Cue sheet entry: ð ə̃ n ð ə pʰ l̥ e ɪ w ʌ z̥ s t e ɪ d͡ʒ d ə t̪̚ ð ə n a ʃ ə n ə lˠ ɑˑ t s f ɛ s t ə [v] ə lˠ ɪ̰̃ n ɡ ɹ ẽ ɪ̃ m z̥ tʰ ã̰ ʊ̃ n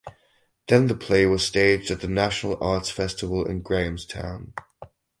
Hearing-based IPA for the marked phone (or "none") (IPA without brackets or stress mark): v